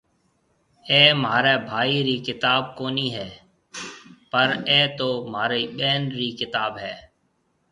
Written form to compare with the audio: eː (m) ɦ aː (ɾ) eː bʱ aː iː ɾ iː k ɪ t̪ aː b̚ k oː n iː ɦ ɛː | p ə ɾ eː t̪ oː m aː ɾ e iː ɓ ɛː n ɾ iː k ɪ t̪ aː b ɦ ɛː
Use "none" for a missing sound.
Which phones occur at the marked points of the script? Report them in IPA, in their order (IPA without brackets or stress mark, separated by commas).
m, ɾ